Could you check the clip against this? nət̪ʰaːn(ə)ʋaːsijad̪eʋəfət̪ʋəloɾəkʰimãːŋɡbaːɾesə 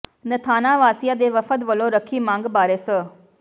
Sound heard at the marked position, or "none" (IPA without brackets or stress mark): a